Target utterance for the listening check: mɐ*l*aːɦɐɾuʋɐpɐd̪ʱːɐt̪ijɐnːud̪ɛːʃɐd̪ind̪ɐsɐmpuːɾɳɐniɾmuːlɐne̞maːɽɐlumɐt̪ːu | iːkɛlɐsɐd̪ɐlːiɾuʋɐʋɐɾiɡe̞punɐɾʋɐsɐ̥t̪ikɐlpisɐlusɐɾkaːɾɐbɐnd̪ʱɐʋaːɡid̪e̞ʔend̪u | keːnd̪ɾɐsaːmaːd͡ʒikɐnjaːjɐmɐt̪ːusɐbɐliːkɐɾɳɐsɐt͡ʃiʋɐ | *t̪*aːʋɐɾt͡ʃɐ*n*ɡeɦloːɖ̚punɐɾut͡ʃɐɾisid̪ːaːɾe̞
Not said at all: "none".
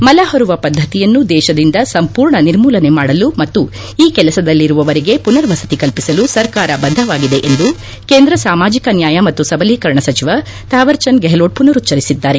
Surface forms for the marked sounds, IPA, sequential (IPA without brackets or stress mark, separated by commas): l, t̪, n